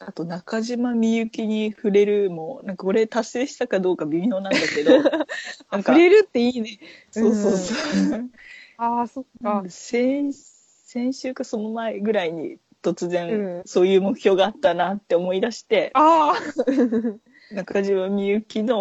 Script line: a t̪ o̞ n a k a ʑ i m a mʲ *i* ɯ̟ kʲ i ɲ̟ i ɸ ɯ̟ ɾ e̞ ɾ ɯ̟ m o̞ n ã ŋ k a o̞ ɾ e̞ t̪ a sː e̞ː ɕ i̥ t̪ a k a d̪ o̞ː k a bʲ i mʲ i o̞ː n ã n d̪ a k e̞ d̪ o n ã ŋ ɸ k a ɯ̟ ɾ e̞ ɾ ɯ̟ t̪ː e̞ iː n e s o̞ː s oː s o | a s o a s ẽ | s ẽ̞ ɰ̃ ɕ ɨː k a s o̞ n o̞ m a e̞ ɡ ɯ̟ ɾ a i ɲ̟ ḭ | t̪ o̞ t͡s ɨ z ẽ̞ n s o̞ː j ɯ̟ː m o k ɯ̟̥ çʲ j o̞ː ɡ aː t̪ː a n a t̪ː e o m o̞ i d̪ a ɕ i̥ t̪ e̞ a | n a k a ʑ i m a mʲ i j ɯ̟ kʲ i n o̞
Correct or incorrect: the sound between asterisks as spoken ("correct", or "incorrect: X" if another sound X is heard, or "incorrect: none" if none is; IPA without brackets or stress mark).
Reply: correct